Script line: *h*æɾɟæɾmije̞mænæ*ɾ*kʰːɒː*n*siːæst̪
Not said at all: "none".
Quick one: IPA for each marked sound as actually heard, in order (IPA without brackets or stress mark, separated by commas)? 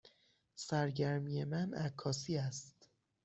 s, none, none